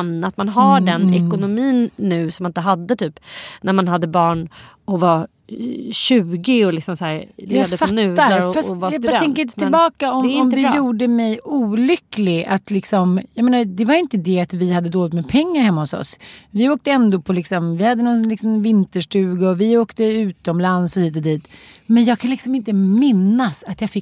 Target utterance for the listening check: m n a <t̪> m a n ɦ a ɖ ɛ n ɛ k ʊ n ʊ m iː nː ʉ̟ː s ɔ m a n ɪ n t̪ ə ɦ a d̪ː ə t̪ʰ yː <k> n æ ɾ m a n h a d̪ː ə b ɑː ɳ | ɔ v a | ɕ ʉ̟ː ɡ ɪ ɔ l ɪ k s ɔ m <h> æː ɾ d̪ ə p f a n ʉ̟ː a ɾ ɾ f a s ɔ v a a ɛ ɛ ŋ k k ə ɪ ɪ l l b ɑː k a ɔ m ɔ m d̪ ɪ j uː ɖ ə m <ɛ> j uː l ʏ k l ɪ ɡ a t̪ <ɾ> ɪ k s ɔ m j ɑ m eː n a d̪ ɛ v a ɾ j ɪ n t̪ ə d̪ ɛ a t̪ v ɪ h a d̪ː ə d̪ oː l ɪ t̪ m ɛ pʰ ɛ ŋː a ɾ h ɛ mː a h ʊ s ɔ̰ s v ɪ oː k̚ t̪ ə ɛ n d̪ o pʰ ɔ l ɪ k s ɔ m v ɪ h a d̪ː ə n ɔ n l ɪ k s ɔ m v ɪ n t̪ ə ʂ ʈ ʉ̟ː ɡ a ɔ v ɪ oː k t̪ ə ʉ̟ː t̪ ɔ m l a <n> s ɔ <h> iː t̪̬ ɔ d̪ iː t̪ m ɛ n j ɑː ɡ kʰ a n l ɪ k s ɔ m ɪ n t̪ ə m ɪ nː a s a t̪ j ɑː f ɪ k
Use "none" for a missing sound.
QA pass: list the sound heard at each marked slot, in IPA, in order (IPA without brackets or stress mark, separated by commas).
t̪, p, s, ɛ, l, n, h